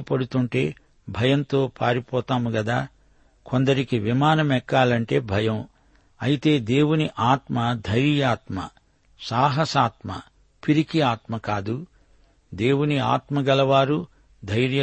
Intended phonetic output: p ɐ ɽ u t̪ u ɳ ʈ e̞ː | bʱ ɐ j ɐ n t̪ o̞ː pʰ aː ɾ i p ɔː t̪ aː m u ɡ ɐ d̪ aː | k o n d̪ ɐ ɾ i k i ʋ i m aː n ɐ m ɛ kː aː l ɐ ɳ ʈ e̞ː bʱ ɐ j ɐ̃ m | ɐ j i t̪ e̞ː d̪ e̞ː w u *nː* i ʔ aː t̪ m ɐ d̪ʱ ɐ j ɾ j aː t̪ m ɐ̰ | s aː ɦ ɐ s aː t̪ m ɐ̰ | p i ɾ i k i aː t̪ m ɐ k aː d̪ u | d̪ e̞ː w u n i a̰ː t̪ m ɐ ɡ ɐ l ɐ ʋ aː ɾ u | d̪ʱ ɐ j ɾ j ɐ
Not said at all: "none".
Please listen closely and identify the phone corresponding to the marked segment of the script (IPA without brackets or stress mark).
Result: n